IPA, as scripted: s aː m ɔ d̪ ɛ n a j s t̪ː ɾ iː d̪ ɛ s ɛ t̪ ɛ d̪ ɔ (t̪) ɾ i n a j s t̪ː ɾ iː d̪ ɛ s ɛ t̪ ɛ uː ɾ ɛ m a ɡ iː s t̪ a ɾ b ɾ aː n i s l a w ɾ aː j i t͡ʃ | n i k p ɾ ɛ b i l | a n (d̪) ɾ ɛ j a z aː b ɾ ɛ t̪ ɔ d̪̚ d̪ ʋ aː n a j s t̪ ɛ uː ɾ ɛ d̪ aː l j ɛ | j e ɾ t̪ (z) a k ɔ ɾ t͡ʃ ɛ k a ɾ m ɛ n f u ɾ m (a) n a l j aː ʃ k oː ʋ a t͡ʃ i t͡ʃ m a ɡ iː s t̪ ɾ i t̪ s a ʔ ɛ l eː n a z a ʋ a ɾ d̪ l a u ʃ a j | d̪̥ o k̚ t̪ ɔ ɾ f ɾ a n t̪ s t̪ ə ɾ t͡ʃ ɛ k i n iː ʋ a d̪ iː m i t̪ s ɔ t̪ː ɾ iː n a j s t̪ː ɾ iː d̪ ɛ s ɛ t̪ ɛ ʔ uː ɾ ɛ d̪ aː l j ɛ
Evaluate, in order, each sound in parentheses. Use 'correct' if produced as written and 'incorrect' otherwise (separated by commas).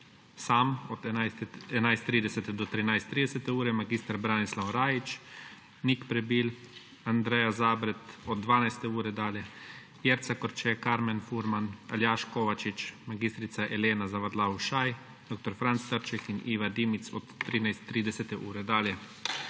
correct, correct, incorrect, correct